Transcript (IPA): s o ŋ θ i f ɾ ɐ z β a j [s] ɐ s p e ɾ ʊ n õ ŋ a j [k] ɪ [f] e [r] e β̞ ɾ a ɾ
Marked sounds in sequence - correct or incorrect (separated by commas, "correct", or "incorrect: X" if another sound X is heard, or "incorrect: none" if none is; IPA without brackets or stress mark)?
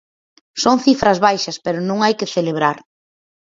incorrect: ʃ, correct, incorrect: θ, incorrect: l